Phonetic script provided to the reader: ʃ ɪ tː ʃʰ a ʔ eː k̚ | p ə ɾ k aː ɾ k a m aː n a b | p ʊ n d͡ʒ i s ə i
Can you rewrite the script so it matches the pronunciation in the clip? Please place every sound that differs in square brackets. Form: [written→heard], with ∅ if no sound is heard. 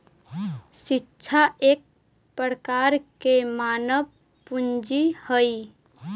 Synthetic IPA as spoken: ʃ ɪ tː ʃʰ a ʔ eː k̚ | p ə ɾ k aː ɾ k [a→e] m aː n [a→ə] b | p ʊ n d͡ʒ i [s→h] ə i